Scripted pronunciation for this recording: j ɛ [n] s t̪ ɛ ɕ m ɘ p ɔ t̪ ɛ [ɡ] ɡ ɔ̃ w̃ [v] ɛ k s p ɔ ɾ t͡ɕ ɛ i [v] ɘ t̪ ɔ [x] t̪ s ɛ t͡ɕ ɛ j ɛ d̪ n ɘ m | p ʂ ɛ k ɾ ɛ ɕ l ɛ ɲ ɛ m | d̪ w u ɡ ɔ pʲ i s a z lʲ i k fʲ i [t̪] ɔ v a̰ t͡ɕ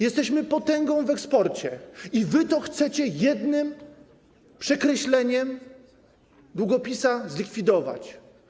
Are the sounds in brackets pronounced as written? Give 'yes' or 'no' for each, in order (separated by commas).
no, no, yes, yes, yes, no